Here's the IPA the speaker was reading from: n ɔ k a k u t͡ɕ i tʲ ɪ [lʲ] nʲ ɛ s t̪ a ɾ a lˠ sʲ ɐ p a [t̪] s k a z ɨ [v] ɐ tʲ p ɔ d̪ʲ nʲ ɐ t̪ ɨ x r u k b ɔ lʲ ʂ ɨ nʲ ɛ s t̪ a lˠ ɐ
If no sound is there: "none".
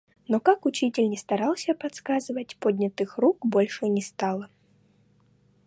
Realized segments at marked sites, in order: lʲ, t̪, v

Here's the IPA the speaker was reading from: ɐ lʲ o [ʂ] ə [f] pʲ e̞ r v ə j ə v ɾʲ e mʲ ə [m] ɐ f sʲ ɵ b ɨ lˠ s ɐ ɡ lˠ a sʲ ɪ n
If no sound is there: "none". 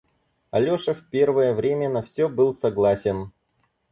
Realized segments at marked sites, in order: ʂ, f, n

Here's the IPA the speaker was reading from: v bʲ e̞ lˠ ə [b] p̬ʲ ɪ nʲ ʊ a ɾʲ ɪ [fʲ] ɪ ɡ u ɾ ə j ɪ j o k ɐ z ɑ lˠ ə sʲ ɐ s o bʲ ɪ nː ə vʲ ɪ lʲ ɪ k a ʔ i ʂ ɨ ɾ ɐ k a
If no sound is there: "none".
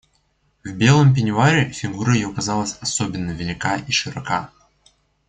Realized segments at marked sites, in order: m, fʲ

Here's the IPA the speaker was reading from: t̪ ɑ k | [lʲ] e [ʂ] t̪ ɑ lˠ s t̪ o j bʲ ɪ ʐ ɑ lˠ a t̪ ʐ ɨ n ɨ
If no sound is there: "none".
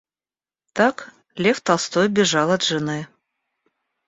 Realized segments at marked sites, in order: lʲ, f

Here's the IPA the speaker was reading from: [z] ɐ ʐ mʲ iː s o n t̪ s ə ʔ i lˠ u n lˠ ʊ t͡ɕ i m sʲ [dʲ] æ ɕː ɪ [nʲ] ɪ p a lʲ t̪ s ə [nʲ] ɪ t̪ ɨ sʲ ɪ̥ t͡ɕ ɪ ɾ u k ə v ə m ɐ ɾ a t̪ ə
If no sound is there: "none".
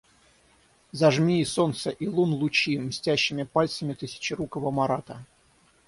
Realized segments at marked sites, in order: z, tʲ, mʲ, mʲ

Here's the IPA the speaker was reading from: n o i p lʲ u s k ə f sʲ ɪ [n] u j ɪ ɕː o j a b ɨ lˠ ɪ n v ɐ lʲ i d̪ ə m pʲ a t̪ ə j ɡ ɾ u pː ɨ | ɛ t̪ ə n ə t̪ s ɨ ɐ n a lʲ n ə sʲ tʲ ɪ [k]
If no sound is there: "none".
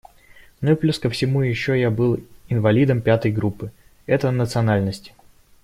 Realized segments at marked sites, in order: m, none

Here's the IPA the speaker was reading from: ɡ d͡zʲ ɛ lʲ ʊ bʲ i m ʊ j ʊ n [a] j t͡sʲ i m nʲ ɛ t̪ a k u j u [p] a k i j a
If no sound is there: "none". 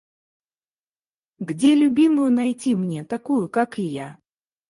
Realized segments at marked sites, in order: a, k

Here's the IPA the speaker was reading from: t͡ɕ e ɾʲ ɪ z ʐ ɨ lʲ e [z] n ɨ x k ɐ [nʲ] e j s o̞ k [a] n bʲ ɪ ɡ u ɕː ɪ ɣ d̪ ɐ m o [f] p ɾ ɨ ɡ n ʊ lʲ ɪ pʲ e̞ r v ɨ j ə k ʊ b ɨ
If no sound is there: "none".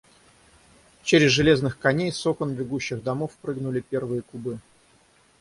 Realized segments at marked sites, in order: z, nʲ, ə, f

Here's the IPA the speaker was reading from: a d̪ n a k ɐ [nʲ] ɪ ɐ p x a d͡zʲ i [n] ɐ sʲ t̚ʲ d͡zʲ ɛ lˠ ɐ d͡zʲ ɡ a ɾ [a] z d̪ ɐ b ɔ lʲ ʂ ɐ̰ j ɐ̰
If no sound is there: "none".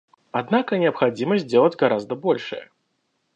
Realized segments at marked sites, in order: nʲ, m, a

